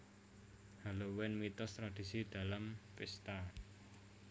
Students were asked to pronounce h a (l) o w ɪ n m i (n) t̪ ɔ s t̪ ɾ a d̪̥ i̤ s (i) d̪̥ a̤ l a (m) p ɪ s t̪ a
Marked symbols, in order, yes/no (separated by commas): yes, no, yes, yes